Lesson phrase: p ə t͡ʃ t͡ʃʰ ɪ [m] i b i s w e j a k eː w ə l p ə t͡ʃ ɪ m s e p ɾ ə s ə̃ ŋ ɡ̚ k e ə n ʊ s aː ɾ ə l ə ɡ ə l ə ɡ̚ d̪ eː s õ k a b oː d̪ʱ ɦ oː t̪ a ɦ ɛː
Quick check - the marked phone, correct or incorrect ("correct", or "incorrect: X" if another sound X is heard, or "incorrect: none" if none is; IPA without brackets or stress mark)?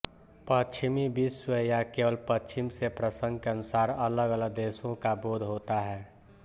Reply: correct